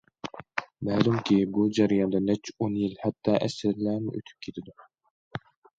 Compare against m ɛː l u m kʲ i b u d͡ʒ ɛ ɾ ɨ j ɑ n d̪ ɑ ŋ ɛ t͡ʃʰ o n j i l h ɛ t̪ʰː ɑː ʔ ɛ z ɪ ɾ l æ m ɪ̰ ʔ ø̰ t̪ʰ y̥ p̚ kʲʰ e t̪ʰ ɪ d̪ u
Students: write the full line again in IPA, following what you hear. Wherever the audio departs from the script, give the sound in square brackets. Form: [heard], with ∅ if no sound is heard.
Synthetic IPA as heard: m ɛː l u m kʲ i b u d͡ʒ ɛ ɾ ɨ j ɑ n d̪ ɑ [n] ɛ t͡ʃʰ o n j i l h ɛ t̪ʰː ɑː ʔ ɛ [s] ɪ ɾ l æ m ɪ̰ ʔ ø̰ t̪ʰ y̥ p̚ kʲʰ e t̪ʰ ɪ d̪ u